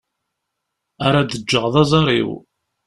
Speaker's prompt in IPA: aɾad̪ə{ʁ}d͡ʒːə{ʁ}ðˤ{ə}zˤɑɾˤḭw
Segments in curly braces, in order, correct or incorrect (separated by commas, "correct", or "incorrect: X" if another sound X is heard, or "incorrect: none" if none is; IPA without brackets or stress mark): incorrect: none, correct, incorrect: ɑ